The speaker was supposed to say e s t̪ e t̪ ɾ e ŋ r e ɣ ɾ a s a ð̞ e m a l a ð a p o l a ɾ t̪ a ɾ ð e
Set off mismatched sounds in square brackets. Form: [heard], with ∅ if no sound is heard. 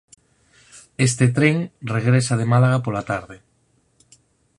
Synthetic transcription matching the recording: e s t̪ e t̪ ɾ e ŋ r e ɣ ɾ [e] s a ð̞ e m a l a [ɣ] a p o l a [∅] t̪ a ɾ ð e

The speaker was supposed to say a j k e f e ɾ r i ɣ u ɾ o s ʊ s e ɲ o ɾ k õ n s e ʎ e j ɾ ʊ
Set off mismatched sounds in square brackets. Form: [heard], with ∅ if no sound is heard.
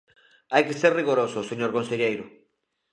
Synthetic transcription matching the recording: a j k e [s] e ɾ r i ɣ [o] ɾ o s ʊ s e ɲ o ɾ k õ n s e ʎ e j ɾ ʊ

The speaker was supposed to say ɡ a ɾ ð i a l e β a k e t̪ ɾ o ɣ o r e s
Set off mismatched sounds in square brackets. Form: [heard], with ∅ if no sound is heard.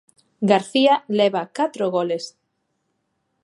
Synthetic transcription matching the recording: ɡ a ɾ [θ] i a l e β a k [a] t̪ ɾ o ɣ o [l] e s

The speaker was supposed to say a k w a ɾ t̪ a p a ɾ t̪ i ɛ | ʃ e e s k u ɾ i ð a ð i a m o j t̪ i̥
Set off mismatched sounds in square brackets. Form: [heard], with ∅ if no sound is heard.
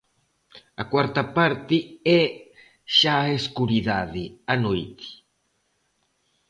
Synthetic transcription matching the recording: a k w a ɾ t̪ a p a ɾ t̪ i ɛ | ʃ [a] e s k u ɾ i ð a ð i a [n] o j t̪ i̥

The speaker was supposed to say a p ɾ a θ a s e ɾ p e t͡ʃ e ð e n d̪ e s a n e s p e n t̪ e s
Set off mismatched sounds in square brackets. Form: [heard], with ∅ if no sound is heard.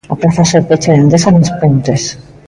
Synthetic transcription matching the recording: a p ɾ a θ a s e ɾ p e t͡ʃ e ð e n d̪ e s a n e s p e n t̪ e s

